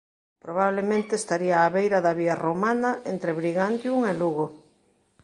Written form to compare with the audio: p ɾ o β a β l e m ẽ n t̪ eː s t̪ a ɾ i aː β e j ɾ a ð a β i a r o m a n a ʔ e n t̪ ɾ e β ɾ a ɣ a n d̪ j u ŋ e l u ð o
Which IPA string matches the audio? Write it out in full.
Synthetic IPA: p ɾ o β a β l e m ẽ n t̪ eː s t̪ a ɾ i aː β e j ɾ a ð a β i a r o m a n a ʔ e n t̪ ɾ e β ɾ i ɣ a n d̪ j u ŋ e l u ɣ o